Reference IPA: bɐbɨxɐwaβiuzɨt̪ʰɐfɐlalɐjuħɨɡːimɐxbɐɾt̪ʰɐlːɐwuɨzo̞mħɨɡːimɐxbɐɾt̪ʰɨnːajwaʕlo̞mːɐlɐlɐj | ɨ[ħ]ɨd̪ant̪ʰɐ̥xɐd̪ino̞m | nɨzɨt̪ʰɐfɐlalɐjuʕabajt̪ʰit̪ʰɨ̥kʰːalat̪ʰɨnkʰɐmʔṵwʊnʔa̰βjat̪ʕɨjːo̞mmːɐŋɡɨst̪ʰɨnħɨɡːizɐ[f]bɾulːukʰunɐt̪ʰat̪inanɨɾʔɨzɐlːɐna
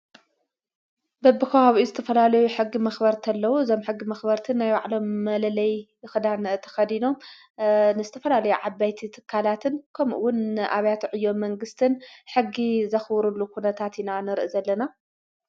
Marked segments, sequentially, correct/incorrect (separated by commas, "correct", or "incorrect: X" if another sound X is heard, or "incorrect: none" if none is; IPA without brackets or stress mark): incorrect: x, incorrect: x